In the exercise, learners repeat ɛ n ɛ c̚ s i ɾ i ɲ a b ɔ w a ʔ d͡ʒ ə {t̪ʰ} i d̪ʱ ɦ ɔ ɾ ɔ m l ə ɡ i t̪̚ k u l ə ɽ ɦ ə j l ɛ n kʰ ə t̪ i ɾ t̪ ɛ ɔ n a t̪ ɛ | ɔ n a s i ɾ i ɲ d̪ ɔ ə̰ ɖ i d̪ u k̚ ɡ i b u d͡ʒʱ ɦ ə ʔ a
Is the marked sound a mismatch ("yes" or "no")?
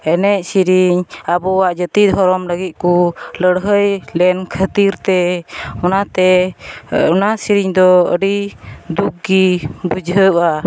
yes